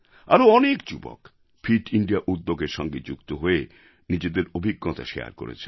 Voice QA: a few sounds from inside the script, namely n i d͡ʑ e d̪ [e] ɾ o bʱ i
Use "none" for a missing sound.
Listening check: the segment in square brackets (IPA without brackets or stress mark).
e